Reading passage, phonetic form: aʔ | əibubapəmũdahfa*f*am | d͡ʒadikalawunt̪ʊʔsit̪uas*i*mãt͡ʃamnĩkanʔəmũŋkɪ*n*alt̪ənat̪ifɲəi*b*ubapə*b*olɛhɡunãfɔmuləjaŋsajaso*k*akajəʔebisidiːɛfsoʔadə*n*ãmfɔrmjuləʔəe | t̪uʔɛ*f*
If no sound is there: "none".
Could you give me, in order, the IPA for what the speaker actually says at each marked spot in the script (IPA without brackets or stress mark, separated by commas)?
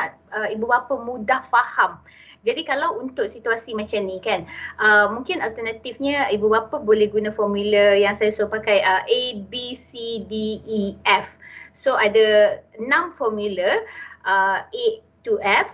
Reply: h, i, n, b, b, p, n, f